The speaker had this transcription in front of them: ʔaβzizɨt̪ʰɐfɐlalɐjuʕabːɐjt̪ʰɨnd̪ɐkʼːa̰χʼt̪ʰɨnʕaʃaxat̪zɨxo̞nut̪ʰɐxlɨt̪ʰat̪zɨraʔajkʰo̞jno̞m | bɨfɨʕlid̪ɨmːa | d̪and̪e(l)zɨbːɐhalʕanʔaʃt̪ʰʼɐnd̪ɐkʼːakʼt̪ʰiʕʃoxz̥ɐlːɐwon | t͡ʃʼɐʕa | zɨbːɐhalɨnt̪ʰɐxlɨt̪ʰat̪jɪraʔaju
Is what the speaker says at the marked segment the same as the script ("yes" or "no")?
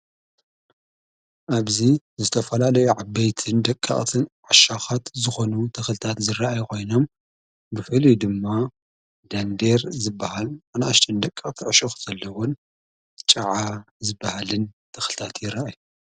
no